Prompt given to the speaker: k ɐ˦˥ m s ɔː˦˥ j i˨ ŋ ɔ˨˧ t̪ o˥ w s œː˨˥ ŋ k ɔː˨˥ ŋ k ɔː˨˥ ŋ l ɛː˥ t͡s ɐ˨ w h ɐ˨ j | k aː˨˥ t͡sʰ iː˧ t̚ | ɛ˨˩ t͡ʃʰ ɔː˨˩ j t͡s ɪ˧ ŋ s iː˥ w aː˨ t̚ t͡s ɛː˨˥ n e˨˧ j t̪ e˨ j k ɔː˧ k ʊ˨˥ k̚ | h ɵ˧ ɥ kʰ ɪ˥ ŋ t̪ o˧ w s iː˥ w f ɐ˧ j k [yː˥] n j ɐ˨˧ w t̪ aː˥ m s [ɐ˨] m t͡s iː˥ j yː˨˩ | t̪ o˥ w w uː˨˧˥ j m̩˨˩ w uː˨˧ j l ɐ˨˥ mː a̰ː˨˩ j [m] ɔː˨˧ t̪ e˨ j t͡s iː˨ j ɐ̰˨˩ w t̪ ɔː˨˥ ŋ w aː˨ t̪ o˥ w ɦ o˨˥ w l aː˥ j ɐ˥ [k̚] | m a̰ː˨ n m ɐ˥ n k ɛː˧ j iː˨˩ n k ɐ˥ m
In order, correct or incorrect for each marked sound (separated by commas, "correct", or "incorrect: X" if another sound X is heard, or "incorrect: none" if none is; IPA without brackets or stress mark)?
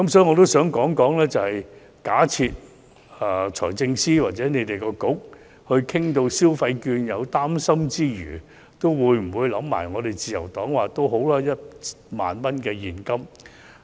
incorrect: yː˧, incorrect: ɐ˥, incorrect: ŋ, incorrect: t̚